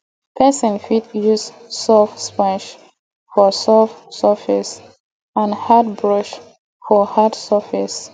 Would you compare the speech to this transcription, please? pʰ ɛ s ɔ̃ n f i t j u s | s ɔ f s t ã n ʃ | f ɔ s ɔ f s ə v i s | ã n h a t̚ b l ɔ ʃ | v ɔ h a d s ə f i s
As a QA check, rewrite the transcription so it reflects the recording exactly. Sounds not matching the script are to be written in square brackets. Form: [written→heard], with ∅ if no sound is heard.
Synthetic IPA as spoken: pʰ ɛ s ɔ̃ n f i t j u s | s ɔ f s [t→p] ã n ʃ | f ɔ s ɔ f s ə [v→f] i s | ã n h a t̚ b [l→ɹ] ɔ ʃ | [v→f] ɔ h a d s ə f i s